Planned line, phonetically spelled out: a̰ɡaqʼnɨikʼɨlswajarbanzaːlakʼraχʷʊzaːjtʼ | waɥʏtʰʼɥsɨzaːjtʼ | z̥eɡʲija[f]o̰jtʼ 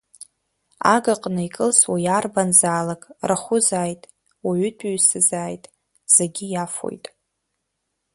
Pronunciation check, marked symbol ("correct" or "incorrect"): correct